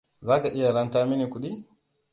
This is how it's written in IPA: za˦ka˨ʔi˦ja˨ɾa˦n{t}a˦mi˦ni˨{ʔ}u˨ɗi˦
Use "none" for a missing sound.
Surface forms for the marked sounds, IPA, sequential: t, k

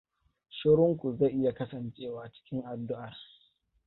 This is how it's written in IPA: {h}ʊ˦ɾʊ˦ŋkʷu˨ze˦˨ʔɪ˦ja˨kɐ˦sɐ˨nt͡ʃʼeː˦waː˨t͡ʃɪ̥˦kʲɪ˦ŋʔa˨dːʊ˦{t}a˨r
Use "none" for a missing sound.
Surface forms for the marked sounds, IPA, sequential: ʃ, ʔ

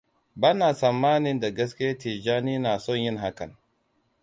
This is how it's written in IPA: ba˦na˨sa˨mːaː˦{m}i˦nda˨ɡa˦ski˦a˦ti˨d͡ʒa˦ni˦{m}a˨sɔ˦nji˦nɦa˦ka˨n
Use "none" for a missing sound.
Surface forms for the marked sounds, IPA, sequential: n, n

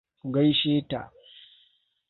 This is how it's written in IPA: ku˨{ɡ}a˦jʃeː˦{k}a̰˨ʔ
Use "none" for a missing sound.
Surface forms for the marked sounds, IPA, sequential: ɡ, t

